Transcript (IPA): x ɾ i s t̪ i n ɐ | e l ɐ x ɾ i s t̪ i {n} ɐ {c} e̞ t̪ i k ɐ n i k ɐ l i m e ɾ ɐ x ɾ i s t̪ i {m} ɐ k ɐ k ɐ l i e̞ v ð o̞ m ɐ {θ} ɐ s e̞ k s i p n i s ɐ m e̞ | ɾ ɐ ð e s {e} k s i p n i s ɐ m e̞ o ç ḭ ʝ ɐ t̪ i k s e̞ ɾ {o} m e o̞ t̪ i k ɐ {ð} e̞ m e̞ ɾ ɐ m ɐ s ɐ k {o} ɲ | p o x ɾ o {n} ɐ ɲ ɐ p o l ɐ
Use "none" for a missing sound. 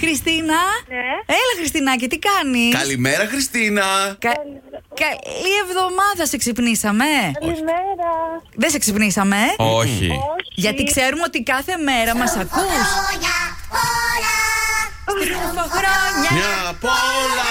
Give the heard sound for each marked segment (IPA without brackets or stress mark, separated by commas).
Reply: n, c, n, ð, e, u, θ, u, ɲ